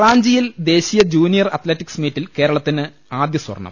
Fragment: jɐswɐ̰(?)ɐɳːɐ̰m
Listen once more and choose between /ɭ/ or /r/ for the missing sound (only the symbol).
r